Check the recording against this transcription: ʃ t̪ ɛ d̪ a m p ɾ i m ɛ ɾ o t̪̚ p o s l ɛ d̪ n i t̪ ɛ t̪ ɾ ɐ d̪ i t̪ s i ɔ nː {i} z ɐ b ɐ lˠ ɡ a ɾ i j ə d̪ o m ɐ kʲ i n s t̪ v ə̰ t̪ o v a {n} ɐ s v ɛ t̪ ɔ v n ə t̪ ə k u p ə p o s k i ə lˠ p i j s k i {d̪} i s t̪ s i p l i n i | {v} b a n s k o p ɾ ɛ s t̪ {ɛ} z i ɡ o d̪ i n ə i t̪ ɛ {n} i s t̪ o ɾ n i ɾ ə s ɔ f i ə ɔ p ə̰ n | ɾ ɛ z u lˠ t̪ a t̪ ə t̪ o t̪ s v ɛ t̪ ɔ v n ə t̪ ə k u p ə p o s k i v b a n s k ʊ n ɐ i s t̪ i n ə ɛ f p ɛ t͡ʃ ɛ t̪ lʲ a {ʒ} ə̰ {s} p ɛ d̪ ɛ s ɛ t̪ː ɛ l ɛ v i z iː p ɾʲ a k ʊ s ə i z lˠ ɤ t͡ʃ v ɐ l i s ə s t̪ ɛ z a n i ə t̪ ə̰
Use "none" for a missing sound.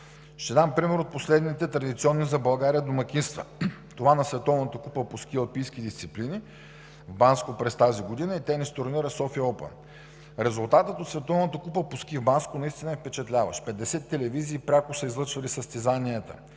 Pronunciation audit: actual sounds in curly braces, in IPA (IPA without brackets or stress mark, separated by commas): i, n, d̪, v, a, n, v, ʃ